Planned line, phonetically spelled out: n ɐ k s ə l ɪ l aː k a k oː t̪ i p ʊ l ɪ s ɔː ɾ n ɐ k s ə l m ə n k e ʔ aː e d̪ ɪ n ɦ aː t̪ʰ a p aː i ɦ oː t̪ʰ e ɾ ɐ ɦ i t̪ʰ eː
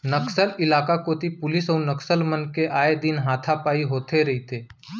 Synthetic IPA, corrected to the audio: n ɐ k s ə l ɪ l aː k a k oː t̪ i p ʊ l ɪ s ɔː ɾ n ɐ k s ə l m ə n k e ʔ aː e d̪ ɪ n ɦ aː t̪ʰ a p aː i ɦ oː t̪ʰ e ɾ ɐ ɦ i t̪ʰ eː

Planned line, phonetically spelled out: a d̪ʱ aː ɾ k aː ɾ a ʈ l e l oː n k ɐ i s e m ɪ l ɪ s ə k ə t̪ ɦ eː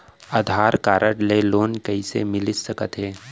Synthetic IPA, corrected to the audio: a d̪ʱ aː ɾ k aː ɾ ə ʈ l e l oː n k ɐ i s e m ɪ l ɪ s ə k ə t̪ ɦ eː

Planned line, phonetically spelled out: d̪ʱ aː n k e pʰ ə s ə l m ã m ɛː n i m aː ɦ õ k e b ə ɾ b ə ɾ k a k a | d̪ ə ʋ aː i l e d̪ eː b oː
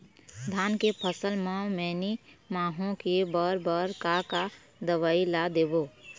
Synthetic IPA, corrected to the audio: d̪ʱ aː n k e pʰ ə s ə l m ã m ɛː n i m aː ɦ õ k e b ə ɾ b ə ɾ k a k a | d̪ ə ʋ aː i l a d̪ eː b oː

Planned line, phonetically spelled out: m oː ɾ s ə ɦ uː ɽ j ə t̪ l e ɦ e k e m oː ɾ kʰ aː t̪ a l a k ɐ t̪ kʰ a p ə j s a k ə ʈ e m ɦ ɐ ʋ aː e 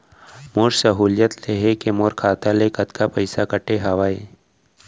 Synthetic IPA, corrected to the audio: m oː ɾ s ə ɦ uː l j ə t̪ l e ɦ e k e m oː ɾ kʰ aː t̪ a l e k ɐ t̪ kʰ a p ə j s a k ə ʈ e ɦ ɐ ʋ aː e

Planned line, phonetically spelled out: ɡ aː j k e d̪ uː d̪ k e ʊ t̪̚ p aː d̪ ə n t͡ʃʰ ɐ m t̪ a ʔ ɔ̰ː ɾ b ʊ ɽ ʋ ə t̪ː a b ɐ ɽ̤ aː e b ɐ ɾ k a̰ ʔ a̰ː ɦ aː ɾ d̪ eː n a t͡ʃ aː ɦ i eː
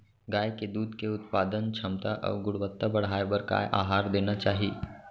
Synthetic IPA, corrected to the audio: ɡ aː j k e d̪ uː d̪ k e ʊ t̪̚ p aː d̪ ə n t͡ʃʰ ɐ m t̪ a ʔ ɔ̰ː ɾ ɡ ʊ ɽ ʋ ə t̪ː a b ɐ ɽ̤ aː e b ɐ ɾ k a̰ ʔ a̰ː ɦ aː ɾ d̪ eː n a t͡ʃ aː ɦ i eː

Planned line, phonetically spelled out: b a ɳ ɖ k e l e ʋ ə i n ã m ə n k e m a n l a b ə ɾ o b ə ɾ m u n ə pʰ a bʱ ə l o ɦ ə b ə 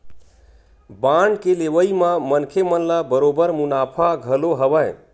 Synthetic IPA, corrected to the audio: b a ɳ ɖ k e l e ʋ ə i m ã m ə n kʰ e m ə n l a b ə ɾ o b ə ɾ m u n a pʰ a ɡʱ ə l o ɦ ə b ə

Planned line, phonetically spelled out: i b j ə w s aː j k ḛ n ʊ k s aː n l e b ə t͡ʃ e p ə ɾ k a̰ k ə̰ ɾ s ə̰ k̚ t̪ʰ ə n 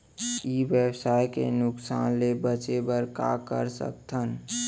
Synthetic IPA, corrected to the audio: i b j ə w s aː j k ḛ n ʊ k s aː n l e b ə t͡ʃ e b ə ɾ k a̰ k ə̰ ɾ s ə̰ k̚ t̪ʰ ə n

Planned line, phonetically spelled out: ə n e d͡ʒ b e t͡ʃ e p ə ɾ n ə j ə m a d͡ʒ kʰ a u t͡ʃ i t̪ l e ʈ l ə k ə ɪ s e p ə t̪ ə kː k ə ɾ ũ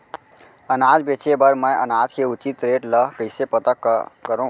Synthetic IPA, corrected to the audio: ə n a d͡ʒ b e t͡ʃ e b ə ɾ m ə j ə n a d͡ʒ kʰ e u t͡ʃ i t̪ ɾ e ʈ l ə k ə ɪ s e p ə t̪ ə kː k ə ɾ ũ

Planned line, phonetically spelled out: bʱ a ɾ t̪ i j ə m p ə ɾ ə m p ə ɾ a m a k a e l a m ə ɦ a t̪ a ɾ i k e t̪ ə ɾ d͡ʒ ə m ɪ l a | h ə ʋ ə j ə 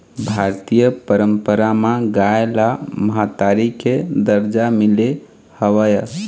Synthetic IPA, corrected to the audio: bʱ a ɾ t̪ i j ə p ə ɾ ə m p ə ɾ a m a ɡ a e l a m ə ɦ a t̪ a ɾ i k e d̪ ə ɾ d͡ʒ a m i l e | h ə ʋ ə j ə

